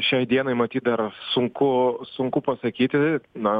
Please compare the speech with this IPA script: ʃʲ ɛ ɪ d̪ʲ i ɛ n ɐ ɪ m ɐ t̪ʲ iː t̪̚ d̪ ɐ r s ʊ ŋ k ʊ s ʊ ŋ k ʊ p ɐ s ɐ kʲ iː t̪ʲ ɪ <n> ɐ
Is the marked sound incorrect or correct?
correct